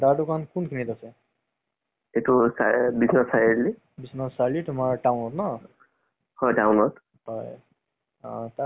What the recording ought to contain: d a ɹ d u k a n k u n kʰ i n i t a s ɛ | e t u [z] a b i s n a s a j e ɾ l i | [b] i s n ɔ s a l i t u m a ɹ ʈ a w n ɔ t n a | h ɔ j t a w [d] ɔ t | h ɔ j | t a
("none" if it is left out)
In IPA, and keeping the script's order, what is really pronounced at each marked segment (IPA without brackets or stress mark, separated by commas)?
s, b, n